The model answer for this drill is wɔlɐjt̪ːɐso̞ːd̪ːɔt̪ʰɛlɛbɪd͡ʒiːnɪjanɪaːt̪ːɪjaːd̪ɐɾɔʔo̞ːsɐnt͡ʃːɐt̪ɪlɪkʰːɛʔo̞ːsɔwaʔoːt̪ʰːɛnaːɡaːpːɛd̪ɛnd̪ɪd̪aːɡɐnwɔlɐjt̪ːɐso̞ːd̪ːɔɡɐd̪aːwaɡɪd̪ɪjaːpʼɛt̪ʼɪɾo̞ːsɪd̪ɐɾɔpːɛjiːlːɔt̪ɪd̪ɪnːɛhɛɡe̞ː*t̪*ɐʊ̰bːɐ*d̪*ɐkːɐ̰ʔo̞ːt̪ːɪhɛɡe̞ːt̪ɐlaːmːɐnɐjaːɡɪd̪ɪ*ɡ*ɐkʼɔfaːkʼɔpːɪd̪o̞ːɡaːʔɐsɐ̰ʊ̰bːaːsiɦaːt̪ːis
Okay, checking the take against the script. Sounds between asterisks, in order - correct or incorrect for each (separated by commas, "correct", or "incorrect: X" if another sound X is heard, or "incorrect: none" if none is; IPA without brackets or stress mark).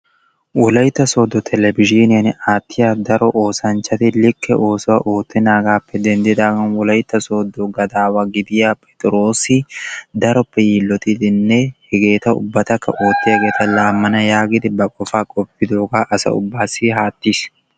correct, incorrect: t̪, incorrect: b